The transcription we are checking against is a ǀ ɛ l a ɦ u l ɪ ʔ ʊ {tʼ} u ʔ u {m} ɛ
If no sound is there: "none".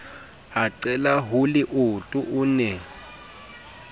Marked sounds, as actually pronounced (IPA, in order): tʼ, n

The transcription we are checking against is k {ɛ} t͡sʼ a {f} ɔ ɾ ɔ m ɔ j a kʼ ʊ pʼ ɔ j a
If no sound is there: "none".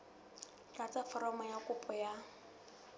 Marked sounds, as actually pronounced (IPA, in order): a, f

